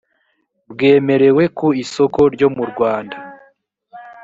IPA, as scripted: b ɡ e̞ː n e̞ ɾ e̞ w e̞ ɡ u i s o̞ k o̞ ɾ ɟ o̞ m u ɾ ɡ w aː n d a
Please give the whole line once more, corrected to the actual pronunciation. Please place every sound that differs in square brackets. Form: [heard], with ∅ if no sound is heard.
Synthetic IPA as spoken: b ɡ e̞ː [m] e̞ ɾ e̞ w e̞ [k] u i s o̞ k o̞ ɾ ɟ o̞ m u ɾ ɡ w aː n d a